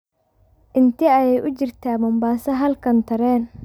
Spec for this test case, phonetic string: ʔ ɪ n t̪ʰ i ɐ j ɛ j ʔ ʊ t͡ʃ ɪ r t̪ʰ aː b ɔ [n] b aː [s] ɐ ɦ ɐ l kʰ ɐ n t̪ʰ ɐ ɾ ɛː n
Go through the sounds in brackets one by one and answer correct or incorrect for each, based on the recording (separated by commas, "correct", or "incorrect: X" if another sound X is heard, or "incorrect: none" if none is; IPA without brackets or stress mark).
incorrect: m, correct